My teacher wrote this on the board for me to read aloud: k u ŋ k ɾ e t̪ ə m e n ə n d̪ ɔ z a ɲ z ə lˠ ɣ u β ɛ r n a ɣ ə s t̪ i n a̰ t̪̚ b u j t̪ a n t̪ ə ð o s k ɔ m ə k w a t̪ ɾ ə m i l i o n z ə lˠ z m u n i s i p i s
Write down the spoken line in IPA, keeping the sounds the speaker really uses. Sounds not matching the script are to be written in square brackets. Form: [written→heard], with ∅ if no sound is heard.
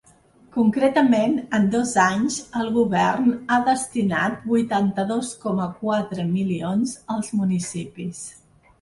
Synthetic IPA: k u ŋ k ɾ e t̪ ə m e n ə n d̪ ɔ z a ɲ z ə lˠ ɣ u β ɛ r n a [ɣ→ð] ə s t̪ i n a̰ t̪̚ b u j t̪ a n t̪ ə ð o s k ɔ m ə k w a t̪ ɾ ə m i l i o n z ə lˠ z m u n i s i p i s